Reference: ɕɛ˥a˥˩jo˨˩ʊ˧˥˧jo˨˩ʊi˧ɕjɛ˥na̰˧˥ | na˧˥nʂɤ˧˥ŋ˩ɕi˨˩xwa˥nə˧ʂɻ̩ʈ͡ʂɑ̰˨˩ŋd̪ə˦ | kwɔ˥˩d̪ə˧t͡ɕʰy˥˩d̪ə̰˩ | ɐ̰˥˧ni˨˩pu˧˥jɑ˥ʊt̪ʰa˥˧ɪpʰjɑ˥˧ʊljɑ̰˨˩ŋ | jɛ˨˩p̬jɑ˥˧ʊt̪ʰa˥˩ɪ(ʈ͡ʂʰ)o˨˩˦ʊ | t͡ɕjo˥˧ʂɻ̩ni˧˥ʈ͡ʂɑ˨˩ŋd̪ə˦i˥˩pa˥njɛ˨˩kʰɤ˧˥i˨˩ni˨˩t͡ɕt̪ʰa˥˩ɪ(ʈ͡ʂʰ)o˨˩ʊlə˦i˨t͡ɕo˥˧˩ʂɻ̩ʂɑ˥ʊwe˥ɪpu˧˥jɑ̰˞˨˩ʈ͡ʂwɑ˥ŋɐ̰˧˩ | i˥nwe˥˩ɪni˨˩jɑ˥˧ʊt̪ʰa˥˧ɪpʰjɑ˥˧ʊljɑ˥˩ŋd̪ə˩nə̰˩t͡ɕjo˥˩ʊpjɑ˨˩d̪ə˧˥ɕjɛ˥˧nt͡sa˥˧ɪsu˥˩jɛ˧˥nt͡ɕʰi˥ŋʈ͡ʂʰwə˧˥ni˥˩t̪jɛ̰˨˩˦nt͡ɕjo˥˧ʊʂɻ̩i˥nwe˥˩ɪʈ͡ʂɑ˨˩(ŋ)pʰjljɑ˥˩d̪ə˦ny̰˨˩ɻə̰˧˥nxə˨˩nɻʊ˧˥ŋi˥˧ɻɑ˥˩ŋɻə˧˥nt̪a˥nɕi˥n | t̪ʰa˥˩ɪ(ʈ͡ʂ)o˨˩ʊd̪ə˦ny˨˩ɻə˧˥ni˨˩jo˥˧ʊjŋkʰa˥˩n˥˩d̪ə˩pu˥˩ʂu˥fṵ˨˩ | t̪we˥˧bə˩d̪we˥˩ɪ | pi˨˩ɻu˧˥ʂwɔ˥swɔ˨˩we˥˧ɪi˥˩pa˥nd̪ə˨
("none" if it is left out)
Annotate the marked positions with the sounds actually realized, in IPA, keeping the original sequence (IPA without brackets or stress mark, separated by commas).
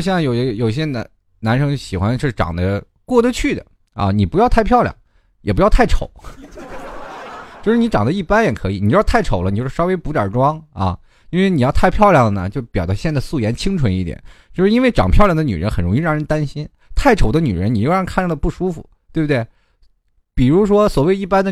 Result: ʈ͡ʂʰ, ʈ͡ʂʰ, ŋ, ʈ͡ʂʰ